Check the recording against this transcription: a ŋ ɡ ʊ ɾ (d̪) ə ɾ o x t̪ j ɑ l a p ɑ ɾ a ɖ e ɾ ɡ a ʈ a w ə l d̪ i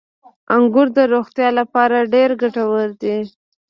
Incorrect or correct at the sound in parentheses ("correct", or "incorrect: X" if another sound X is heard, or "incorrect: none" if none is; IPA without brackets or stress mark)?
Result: correct